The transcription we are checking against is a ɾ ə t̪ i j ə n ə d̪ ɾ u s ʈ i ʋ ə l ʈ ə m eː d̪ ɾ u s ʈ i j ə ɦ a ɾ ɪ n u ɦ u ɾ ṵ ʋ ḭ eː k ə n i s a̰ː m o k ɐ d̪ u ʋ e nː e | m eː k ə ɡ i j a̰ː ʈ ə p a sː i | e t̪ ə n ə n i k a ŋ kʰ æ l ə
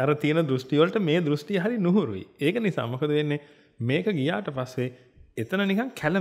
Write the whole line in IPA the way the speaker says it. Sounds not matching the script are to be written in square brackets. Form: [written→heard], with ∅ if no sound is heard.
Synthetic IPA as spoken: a ɾ ə t̪ i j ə n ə d̪ ɾ u s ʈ i ʋ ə l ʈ ə m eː d̪ ɾ u s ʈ i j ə ɦ a ɾ [ɪ→i] n u ɦ u ɾ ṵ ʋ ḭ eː k ə n i s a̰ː m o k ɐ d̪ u ʋ e nː e | m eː k ə ɡ i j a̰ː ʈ ə p a sː [i→e] | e t̪ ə n ə n i k a ŋ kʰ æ l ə